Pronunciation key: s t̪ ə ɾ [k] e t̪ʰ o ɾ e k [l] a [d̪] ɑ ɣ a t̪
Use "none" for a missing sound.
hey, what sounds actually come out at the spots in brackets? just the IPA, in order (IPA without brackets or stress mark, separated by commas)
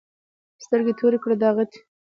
ɡ, ɽ, d̪